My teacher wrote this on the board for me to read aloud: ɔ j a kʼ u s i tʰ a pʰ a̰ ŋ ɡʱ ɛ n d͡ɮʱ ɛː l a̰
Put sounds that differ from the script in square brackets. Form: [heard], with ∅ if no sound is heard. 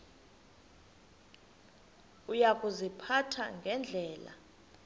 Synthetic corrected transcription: [u] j a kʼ u [z] i [pʰ] a [tʰ] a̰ ŋ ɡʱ ɛ n d͡ɮʱ ɛː l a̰

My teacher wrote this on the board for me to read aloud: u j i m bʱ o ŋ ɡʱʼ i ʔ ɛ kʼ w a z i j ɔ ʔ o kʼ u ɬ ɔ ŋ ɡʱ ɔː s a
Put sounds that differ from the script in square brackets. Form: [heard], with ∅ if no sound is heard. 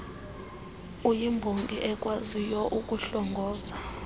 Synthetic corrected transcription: u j i m bʱ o ŋ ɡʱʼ i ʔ ɛ kʼ w a z i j ɔ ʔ [u] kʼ u ɬ ɔ ŋ ɡʱ ɔː [z] a

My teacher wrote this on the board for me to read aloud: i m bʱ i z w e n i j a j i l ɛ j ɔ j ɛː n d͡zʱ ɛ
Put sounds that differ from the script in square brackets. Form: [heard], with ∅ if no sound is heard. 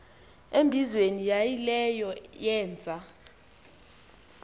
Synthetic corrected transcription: [e] m bʱ i z w e n i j a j i l ɛ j ɔ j ɛː n d͡zʱ [a]

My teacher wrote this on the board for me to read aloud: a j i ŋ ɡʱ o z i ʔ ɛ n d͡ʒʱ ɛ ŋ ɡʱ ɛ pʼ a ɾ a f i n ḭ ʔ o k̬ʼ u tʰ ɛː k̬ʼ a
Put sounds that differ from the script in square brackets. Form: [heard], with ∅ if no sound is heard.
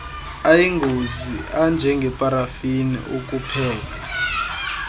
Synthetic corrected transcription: a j i ŋ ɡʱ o z i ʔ [a] n d͡ʒʱ ɛ ŋ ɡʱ ɛ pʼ a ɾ a f i n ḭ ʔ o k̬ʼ u [pʰ] ɛː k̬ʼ a

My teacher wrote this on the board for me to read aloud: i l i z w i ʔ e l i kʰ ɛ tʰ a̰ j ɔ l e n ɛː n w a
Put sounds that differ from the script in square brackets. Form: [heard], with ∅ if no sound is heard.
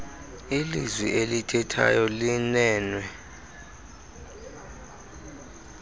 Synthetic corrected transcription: i l i z w i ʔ e l i [tʰ] ɛ tʰ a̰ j ɔ l [i] n ɛː n w [ɛ]

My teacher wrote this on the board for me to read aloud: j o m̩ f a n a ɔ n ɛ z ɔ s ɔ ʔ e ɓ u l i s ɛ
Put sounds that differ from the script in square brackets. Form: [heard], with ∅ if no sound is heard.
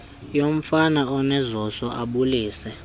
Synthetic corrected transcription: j o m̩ f a n a ɔ n ɛ z ɔ s ɔ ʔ [a] ɓ u l [iː] s ɛ

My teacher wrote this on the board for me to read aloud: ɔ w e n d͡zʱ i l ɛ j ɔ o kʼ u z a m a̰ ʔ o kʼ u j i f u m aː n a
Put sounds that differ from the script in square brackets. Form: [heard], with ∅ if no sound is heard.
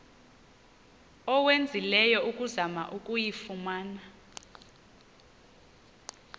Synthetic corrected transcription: ɔ w e n d͡zʱ i l ɛ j ɔ [u] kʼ u z a m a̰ ʔ [u] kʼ u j i f u m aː n a

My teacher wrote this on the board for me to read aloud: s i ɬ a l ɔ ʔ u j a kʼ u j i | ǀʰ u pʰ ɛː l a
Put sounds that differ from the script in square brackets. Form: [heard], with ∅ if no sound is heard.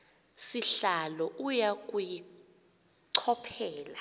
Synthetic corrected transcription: s i ɬ a l ɔ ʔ u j a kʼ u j i | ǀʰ [ɔ] pʰ ɛː l a

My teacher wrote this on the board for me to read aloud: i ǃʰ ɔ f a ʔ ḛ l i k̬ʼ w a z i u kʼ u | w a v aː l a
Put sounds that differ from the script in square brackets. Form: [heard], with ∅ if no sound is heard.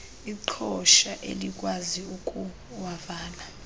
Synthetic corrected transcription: i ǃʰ ɔ [ʃ] a ʔ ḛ l i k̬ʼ w a z i u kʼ u | w a v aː l a

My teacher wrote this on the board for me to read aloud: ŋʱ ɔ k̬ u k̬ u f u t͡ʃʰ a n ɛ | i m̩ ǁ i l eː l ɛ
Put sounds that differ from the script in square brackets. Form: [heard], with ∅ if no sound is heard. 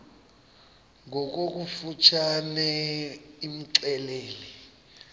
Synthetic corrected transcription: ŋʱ ɔ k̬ [o] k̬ u f u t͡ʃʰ a n ɛ | i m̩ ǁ [ɛ] l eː l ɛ

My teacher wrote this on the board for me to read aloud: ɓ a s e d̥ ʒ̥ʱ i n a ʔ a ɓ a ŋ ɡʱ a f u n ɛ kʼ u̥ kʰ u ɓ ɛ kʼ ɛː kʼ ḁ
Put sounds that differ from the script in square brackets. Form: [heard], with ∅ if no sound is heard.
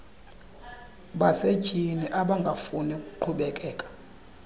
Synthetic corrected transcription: ɓ a s e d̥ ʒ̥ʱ i n [i] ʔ a ɓ a ŋ ɡʱ a f u n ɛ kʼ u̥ [ǃʰ] u ɓ ɛ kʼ ɛː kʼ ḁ

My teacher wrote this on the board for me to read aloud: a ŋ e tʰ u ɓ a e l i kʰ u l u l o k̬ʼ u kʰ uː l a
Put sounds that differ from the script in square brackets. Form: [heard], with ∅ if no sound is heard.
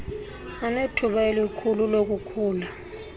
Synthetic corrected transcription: a [n] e tʰ u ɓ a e l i kʰ u l u l o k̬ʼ u kʰ uː l a

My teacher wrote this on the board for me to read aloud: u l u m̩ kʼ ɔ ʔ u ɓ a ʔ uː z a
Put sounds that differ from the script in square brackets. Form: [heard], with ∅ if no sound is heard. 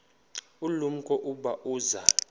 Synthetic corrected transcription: u l u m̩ kʼ ɔ ʔ u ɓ a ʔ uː z a

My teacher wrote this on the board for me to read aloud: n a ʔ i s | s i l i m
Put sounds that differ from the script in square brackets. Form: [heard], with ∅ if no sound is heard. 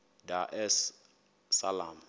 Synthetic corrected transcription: [d] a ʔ [ɛ] s | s [a] l [a] m

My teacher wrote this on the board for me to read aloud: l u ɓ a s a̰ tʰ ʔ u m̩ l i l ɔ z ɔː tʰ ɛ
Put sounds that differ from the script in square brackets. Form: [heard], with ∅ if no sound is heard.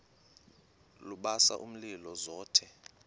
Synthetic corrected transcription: l u ɓ a s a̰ [∅] ʔ u m̩ l i l ɔ z ɔː tʰ ɛ

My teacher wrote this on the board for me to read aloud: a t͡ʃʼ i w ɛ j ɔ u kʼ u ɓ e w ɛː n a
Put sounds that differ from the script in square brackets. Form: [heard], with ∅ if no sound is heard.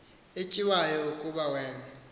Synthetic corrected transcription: [e] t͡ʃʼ i w [a] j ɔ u kʼ u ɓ [a] w ɛː n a

